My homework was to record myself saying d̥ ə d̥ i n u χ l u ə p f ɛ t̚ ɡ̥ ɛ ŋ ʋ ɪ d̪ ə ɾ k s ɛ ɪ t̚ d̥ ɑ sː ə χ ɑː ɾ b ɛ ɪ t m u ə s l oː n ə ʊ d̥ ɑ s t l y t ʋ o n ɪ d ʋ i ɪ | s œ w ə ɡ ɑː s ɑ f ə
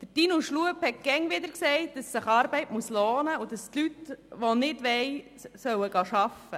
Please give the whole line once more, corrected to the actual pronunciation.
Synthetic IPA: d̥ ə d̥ i n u ʃ l u ə p h ɛ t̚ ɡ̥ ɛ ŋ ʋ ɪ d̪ ə ɾ k s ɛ ɪ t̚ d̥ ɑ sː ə χ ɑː ɾ b ɛ ɪ t m u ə s l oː n ə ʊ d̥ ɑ s t l y t ʋ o n ɪ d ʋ ɛ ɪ | s œ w ə ɡ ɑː ʃ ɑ f ə